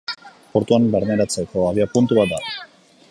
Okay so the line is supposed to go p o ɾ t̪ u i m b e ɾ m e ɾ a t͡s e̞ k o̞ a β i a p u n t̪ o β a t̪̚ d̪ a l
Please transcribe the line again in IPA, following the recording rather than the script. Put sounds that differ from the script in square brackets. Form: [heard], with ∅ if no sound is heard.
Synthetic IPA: p o ɾ t̪ u [a] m b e ɾ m e ɾ a t͡s e̞ k o̞ a β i a p u n t̪ [u] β a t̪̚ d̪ a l